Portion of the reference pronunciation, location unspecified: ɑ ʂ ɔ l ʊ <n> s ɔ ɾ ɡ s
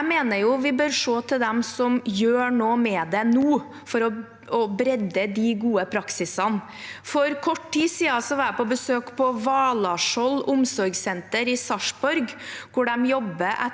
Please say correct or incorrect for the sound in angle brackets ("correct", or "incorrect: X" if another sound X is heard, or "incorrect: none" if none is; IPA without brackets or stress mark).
incorrect: m